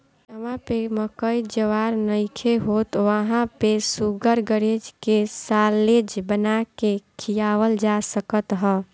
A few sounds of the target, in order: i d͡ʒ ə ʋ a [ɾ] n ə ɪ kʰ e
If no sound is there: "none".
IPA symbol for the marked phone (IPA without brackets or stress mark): ɾ